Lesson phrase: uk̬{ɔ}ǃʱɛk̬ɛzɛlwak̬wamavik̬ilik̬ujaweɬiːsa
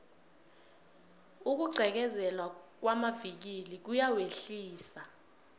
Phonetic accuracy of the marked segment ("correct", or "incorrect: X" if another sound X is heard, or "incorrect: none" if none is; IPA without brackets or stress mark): incorrect: u